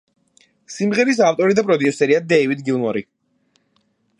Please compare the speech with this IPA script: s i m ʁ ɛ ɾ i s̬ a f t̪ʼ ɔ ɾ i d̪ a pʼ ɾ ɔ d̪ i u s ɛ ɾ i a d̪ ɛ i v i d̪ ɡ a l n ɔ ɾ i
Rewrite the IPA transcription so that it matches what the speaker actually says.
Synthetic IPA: s i m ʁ ɛ ɾ i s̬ a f t̪ʼ ɔ ɾ i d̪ a pʼ ɾ ɔ d̪ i u s ɛ ɾ i a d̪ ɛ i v i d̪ ɡ i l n ɔ ɾ i